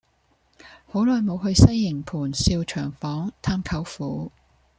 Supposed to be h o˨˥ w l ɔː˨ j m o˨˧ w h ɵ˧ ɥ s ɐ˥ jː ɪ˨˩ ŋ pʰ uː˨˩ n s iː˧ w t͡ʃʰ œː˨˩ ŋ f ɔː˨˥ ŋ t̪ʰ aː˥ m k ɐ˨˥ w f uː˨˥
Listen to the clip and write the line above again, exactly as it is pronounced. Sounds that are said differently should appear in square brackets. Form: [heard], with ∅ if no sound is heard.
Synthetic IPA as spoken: h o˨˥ w l ɔː˨ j m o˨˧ w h ɵ˧ ɥ s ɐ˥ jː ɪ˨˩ ŋ pʰ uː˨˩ n s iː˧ w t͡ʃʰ œː˨˩ ŋ f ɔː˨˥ ŋ t̪ʰ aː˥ m [kʰ] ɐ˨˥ w f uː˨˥